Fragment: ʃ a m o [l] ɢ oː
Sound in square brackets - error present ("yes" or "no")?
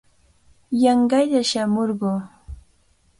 yes